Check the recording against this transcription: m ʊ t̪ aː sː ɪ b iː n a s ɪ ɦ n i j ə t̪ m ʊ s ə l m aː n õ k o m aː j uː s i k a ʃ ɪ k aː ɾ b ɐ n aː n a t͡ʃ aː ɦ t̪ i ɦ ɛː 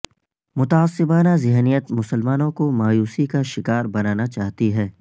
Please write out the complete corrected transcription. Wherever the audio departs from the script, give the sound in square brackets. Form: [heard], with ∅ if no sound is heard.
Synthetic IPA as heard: m ʊ t̪ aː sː ɪ b [aː] n a [z] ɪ ɦ n i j ə t̪ m ʊ s ə l m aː n õ k o m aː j uː s i k a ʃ ɪ k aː ɾ b ɐ n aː n a t͡ʃ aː ɦ t̪ i ɦ ɛː

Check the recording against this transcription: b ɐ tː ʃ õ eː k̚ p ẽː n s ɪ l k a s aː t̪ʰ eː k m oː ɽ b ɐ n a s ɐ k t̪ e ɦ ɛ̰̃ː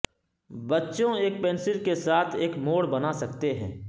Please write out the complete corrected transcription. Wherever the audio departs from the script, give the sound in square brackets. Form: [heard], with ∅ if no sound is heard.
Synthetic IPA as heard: b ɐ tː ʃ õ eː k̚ p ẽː n s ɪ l k [e] s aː t̪ʰ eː k m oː ɽ b ɐ n a s ɐ k t̪ e ɦ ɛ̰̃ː

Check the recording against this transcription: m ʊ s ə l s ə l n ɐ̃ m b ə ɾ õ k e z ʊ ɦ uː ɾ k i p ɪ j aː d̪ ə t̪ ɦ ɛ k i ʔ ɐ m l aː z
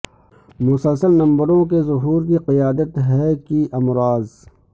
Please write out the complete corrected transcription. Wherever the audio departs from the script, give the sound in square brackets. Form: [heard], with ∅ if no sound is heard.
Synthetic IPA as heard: m ʊ s ə l s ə l n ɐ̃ m b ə ɾ õ k e z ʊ ɦ uː ɾ k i [q] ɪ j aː d̪ ə t̪ ɦ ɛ k i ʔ ɐ m [ɾ] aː z

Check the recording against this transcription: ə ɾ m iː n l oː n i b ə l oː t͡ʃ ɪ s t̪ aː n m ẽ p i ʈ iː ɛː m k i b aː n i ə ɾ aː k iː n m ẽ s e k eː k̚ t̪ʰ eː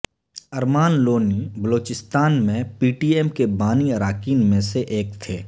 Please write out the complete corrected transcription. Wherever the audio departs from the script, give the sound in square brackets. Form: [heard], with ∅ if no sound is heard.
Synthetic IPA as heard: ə ɾ m [aː] n l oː n i b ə l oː t͡ʃ ɪ s t̪ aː n m ẽ p [iː] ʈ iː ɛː m k [e] b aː n i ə ɾ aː k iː n m ẽ s e [ʔ] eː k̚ t̪ʰ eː

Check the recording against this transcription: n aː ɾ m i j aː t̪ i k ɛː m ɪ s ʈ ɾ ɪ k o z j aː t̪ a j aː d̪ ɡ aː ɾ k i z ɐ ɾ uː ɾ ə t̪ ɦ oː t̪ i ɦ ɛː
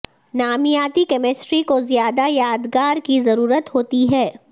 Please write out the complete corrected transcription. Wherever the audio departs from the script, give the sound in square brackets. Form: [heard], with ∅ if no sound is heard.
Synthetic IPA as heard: n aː [∅] m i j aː t̪ i k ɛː m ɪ s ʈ ɾ [i] k o z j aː [d̪] a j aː d̪ ɡ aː ɾ k i z ɐ ɾ uː ɾ ə t̪ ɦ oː t̪ i ɦ ɛː

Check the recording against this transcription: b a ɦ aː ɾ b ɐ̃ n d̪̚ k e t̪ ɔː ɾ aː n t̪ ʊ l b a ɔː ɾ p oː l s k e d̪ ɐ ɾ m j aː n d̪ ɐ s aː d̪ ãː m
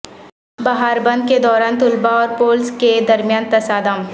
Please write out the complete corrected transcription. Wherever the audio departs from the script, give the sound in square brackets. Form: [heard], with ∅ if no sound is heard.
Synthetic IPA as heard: b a ɦ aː ɾ b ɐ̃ n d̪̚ k e [d̪] ɔː ɾ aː n t̪ ʊ l b a ɔː ɾ p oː l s k e d̪ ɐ ɾ m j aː n [t̪] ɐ s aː d̪ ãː m

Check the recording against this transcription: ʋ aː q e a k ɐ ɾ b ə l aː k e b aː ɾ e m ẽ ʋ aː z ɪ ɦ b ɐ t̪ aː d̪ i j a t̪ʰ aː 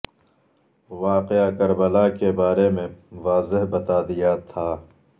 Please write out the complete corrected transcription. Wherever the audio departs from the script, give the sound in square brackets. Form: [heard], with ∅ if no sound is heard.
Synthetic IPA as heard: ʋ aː q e a k ɐ ɾ b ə l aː k e b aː ɾ e m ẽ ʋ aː z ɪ ɦ b ɐ t̪ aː d̪ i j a t̪ʰ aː

